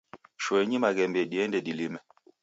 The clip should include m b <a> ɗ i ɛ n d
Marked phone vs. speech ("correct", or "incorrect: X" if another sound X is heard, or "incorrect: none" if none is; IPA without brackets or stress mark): incorrect: ɛ